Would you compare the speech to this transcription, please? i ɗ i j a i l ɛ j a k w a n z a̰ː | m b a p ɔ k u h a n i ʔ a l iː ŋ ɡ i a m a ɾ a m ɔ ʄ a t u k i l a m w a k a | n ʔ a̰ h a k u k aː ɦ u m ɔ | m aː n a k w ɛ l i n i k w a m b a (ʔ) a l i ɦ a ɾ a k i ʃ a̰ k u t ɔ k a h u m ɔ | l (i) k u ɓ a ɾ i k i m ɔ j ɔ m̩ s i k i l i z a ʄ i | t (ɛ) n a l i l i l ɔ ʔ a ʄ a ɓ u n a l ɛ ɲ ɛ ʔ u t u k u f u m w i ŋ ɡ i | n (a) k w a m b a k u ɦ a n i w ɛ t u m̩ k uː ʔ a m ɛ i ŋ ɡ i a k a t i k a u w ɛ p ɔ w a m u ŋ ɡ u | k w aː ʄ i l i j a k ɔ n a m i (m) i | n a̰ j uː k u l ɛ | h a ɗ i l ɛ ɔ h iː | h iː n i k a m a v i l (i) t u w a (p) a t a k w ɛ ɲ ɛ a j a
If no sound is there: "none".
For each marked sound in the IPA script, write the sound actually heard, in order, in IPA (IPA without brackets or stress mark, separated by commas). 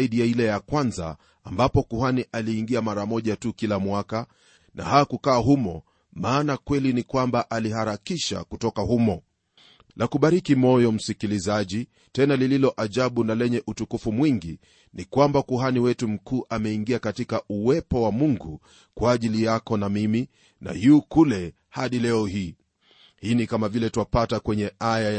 ʔ, a, ɛ, i, m, ɛ, p